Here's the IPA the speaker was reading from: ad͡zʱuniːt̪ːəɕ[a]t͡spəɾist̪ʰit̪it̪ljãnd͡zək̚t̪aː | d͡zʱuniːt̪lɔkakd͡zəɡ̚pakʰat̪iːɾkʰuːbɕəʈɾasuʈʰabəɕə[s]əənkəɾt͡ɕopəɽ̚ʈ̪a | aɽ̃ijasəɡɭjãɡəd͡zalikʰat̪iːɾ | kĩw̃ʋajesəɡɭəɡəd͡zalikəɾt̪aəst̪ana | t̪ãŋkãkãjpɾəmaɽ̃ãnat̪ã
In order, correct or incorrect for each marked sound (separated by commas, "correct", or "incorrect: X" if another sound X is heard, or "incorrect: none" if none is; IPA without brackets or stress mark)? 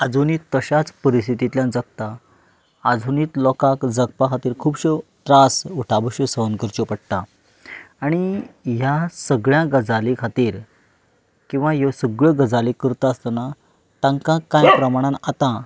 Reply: correct, correct